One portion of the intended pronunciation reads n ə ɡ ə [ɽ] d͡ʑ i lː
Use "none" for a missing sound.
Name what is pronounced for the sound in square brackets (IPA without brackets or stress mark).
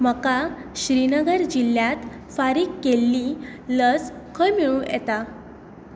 ɾ